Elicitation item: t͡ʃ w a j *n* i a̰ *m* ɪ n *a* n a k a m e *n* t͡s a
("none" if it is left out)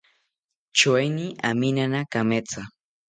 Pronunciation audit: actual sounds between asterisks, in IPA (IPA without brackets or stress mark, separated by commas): n, m, a, none